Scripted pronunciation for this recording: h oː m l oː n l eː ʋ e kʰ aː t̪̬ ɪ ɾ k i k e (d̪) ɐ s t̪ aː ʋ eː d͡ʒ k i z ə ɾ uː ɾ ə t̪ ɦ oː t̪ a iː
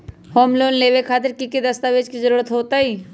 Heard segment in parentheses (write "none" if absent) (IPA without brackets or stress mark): d̪